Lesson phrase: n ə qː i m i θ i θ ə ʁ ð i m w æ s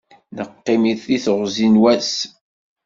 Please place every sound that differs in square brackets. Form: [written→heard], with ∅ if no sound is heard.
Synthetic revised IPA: n ə qː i m i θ i θ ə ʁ [ð→z] i [m→n] w æ s